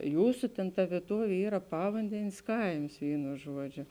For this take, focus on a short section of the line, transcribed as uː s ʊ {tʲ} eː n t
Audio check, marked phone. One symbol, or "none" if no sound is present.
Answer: tʲ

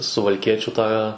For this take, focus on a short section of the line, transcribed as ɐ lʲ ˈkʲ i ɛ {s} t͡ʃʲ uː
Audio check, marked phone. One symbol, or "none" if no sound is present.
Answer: none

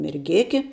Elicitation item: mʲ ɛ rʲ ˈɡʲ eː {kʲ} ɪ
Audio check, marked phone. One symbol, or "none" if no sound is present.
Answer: kʲ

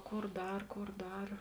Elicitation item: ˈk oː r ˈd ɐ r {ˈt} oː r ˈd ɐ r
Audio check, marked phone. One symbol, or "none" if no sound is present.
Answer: k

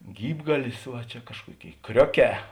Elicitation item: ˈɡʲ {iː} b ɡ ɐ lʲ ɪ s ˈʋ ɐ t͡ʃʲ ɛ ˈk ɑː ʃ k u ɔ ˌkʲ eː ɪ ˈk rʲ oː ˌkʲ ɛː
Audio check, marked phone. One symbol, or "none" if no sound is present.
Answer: iː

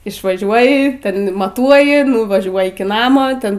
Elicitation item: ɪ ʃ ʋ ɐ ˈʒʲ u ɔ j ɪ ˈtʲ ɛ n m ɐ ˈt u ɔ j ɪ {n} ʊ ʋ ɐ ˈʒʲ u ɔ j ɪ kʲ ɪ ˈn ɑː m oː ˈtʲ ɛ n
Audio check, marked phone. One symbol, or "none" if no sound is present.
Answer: n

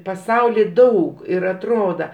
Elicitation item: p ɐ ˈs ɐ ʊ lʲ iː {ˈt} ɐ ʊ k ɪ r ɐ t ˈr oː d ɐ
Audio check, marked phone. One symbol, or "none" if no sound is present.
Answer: d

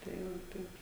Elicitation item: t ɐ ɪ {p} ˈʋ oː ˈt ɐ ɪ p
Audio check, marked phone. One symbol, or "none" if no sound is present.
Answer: none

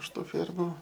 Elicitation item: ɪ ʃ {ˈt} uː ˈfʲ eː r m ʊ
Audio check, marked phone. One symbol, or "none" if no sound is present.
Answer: t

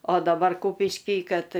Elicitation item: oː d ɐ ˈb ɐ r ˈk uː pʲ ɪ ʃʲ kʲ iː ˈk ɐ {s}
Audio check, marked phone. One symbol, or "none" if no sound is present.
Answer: t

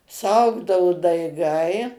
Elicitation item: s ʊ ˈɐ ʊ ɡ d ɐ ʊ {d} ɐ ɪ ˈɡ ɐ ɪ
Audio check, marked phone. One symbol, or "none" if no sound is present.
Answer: d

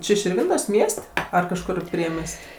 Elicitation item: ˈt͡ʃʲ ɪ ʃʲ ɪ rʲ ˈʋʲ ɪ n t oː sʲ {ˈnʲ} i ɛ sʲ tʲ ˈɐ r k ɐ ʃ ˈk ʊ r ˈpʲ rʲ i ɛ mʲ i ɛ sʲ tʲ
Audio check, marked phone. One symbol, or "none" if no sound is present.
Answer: mʲ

